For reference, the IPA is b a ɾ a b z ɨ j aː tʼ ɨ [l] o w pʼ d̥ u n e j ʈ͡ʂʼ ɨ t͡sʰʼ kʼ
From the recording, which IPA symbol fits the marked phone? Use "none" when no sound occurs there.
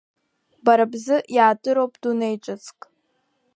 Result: ɾ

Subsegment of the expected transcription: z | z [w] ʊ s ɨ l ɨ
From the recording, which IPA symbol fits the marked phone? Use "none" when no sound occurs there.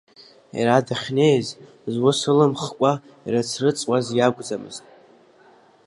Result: w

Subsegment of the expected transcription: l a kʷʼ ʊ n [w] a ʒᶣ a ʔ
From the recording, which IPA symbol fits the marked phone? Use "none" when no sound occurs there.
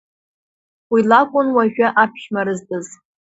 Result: w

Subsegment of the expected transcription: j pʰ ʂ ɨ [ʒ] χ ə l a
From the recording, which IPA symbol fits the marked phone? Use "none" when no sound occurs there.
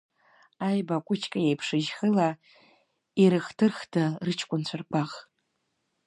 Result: ʒ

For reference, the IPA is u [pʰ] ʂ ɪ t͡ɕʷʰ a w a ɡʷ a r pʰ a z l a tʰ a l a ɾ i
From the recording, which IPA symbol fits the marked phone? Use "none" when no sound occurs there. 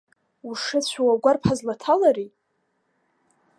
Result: none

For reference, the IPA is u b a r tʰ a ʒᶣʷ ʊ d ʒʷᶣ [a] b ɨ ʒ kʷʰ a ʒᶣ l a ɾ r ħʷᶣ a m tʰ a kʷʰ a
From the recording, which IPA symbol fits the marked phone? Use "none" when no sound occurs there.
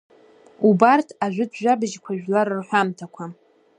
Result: a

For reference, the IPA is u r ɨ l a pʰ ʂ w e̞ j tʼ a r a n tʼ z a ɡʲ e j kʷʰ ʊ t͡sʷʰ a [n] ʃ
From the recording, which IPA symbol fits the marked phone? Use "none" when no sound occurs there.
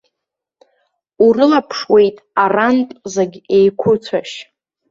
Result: none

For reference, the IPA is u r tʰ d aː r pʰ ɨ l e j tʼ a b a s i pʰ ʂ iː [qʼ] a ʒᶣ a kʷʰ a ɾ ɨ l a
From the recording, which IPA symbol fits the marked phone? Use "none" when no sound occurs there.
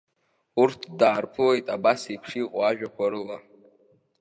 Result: qʼ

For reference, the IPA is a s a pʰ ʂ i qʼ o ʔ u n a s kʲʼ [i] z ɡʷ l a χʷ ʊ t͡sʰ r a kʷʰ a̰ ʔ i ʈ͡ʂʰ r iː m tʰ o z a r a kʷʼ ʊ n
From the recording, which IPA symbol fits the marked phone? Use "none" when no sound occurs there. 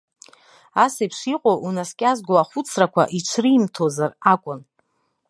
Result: a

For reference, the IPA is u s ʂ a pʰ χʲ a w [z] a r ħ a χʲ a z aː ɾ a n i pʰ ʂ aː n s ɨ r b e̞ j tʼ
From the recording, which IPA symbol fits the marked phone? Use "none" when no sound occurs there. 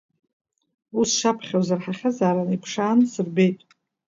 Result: z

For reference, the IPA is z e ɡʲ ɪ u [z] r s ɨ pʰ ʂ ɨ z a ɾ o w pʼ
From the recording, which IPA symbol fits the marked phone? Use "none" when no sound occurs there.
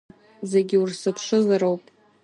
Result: none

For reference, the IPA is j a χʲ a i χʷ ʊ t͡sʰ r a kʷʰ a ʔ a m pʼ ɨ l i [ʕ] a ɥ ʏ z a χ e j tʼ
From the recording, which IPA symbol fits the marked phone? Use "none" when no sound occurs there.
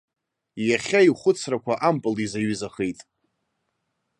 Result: z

